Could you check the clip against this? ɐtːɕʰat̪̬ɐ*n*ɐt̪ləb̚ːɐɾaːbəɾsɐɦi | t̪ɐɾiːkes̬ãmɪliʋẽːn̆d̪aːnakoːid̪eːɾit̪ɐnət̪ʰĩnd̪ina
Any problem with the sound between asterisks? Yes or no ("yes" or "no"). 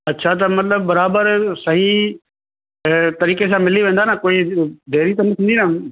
yes